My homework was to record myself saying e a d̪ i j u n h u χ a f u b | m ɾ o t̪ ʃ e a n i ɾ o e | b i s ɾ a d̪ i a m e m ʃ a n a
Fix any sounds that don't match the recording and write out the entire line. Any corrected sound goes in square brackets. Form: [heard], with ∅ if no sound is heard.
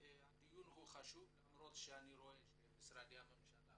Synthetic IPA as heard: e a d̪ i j u n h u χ a [ʃ] u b | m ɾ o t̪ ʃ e a n i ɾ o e | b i s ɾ a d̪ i a m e m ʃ a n a